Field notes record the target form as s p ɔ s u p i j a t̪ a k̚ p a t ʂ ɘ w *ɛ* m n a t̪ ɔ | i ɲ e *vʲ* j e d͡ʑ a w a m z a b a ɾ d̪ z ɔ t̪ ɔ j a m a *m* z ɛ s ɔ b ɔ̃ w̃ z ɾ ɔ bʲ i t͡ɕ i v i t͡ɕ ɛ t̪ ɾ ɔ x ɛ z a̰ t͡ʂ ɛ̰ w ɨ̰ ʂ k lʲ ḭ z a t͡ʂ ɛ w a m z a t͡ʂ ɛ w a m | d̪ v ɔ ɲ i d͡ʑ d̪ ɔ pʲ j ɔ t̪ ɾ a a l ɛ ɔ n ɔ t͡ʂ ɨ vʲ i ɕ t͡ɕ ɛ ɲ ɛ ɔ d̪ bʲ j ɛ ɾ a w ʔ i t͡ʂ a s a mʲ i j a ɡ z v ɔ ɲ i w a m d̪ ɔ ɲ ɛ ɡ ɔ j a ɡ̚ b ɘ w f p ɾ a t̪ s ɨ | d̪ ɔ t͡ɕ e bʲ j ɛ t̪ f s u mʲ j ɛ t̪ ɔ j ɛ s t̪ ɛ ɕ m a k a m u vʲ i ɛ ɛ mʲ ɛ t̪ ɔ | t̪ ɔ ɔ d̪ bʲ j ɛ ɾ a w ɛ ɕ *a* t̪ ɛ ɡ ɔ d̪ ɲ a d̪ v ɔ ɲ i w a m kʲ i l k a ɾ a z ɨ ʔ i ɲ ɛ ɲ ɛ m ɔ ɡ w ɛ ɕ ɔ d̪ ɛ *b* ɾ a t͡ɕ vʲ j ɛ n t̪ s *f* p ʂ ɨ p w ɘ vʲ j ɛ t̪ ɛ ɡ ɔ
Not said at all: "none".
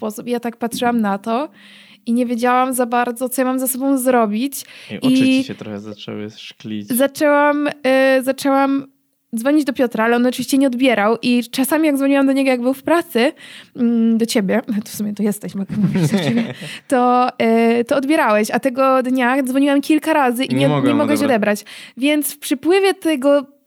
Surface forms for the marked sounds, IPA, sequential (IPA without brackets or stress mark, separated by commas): a, vʲ, m, a, b, f